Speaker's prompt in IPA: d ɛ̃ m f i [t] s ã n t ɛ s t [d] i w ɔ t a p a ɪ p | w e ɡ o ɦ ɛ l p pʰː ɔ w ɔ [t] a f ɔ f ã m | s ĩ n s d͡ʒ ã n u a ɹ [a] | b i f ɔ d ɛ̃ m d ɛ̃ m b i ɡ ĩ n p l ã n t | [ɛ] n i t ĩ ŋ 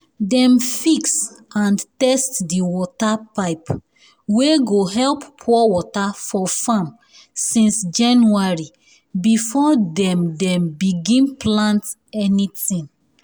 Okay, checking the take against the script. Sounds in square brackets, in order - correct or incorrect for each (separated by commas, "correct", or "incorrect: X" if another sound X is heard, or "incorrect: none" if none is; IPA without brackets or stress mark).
incorrect: k, correct, correct, incorrect: i, correct